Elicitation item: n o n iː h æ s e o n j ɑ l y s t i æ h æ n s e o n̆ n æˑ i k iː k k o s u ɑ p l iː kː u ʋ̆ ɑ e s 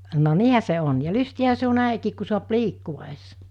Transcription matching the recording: n o n iː h æ s e o n j ɑ l y s t i æ h æ s e o n̆ n æˑ i k iː k k u s u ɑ p l iː kː u ʋ̆ ɑ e s

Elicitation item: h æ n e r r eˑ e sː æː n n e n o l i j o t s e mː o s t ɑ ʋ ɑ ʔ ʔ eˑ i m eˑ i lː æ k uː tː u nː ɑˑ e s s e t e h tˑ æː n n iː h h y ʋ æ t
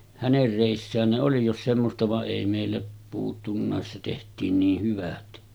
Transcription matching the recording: h æ n e r r eˑ i sː æː n n e o l i j o s s e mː o s t ɑ ʋ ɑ ʔ ʔ eˑ i m eˑ i lː æ p uː tː u nː ɑˑ e s s e t e h tˑ iː n n iː h h y ʋ æ t

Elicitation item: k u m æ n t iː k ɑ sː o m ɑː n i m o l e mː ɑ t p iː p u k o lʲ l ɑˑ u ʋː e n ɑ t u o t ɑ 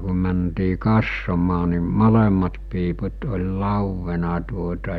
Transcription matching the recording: k u m æ n t iː k ɑ sː o m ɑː n i m o l e mː ɑ t p iː p u t o lʲ l ɑˑ u ʋː e n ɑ t u o t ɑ

